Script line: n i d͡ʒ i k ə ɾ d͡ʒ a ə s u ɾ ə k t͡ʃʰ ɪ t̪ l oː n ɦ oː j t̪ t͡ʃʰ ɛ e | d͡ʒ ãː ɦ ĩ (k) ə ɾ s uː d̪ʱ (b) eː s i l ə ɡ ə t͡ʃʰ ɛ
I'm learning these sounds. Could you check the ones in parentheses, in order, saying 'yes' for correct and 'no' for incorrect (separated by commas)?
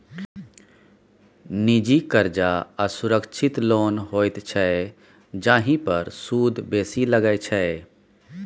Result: no, yes